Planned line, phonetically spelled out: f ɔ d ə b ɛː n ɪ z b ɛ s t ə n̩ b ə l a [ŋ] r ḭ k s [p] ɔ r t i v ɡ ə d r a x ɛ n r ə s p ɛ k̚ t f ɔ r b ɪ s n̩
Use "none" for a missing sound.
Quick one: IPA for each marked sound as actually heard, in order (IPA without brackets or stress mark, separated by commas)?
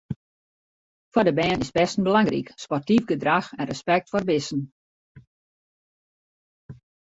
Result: ŋ, p